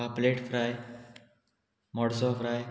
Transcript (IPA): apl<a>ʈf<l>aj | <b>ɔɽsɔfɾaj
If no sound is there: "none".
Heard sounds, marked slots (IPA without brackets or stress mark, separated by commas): e, ɾ, m